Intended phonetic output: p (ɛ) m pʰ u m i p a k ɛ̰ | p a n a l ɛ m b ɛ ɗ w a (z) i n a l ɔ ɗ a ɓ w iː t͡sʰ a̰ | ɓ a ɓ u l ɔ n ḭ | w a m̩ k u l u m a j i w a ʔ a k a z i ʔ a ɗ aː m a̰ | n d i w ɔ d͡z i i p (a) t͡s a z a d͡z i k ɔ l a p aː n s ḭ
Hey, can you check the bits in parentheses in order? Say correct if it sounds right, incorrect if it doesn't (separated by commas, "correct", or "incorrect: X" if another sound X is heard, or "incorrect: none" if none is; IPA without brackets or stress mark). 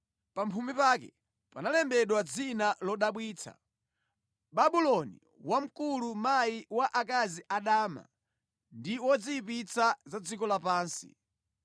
incorrect: a, incorrect: d͡z, incorrect: i